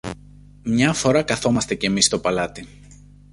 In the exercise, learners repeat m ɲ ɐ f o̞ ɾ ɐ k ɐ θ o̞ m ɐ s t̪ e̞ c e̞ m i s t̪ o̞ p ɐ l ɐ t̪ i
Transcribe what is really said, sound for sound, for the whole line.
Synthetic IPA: m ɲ ɐ f o̞ ɾ ɐ k ɐ θ o̞ m ɐ s t̪ e̞ c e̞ m i s t̪ o̞ p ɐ l ɐ t̪ i